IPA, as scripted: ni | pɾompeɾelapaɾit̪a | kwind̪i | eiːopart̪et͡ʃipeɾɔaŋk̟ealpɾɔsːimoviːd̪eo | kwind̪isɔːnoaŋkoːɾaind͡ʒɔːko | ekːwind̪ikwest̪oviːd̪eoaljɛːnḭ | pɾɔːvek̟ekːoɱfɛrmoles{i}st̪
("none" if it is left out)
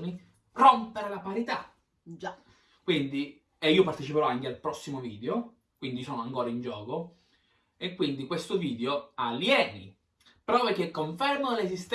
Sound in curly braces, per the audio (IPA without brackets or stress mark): i